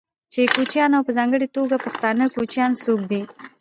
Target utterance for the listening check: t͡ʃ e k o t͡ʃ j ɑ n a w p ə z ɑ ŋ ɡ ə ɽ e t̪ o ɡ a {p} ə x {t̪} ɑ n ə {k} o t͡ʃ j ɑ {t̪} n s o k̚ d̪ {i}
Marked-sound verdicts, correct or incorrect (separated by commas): correct, correct, correct, incorrect, correct